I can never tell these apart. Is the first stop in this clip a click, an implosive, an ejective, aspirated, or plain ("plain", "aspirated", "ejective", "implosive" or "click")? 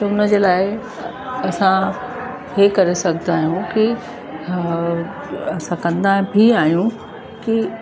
plain